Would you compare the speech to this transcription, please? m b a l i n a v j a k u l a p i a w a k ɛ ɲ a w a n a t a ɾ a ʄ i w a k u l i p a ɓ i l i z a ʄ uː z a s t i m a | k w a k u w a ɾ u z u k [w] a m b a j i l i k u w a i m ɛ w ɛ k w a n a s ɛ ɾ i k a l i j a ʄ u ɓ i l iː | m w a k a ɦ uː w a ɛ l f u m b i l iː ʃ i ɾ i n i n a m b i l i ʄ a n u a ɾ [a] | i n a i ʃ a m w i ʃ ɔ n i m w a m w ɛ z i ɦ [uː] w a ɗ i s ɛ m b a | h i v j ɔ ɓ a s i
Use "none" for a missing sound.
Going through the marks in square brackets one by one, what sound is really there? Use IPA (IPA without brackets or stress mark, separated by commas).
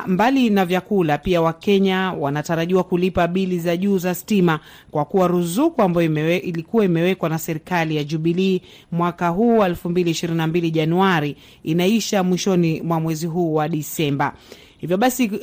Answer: u, i, uː